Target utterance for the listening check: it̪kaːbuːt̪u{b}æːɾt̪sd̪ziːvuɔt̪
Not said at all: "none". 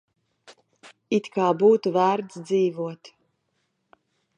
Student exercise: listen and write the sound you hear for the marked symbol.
v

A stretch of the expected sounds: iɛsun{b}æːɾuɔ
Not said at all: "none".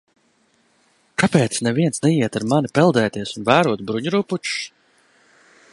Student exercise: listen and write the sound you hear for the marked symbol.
v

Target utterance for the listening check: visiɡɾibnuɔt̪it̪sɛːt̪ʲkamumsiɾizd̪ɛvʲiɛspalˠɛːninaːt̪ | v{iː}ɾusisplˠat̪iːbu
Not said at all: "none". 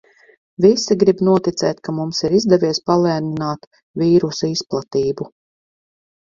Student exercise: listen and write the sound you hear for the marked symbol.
iː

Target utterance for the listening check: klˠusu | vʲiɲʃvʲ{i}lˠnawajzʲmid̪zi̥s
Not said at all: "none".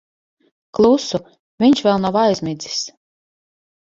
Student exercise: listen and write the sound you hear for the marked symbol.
ɛ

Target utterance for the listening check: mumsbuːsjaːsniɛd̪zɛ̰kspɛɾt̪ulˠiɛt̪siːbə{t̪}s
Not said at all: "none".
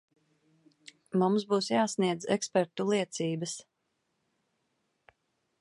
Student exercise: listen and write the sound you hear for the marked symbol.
none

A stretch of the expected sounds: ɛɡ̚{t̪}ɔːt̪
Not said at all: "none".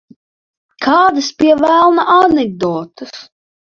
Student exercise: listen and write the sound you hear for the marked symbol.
d̪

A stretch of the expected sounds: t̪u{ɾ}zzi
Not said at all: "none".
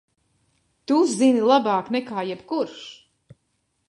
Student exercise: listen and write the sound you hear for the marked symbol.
none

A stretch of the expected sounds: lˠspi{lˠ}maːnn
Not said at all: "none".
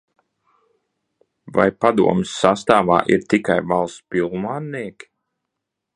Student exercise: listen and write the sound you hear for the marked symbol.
lˠ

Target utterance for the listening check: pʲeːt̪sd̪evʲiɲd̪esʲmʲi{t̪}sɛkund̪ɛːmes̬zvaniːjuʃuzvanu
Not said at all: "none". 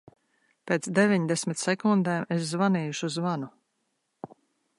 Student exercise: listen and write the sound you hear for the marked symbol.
t̪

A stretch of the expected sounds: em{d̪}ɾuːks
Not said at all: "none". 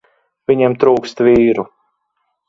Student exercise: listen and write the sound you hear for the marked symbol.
t̪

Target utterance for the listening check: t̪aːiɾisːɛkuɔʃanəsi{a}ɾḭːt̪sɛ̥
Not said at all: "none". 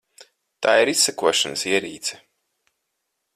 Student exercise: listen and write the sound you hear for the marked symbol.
ɛ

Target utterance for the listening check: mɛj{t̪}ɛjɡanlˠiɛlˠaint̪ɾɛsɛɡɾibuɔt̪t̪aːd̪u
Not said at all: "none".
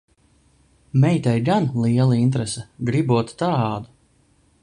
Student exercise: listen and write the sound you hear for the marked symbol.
t̪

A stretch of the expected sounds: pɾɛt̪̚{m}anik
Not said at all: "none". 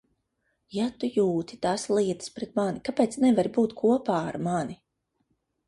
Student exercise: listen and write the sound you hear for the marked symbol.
m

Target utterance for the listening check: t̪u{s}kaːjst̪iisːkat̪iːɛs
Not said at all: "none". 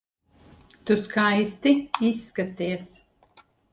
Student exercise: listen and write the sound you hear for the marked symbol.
s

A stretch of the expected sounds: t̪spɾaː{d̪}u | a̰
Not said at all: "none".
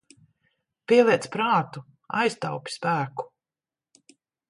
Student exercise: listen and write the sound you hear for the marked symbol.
t̪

